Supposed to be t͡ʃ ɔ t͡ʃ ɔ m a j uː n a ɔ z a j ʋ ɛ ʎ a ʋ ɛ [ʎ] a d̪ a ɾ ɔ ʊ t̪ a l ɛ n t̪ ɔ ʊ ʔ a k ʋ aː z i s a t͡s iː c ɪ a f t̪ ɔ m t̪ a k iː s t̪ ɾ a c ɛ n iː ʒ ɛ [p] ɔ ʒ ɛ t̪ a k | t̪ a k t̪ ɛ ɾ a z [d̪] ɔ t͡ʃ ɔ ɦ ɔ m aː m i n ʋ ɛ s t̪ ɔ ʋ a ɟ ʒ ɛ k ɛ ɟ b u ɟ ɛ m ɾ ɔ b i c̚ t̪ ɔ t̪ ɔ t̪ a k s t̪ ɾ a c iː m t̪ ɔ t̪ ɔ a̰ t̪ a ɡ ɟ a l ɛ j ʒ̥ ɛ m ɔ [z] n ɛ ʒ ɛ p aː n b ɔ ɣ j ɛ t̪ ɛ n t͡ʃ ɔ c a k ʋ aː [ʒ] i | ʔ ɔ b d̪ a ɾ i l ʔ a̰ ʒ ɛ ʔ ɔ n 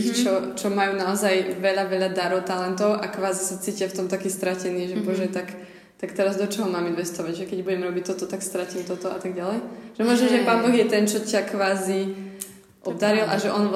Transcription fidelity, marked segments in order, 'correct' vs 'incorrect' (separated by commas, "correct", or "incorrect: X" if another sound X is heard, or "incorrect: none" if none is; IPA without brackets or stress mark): correct, incorrect: b, correct, incorrect: ʒ, incorrect: z